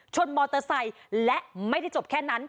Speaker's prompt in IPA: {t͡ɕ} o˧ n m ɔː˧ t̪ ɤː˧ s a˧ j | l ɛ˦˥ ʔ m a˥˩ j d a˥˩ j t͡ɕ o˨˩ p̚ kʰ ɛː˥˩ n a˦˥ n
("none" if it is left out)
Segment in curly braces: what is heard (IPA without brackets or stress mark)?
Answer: t͡ɕʰ